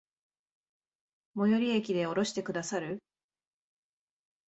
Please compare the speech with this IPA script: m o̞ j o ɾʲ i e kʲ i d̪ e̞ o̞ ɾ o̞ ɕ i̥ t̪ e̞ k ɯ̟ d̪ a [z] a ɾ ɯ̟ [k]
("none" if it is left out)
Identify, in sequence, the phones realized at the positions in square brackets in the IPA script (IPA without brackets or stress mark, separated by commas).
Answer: s, none